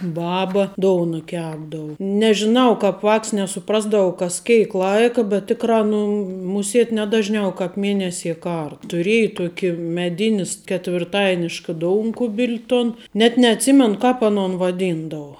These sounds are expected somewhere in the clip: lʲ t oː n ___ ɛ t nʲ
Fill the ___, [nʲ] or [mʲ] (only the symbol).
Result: nʲ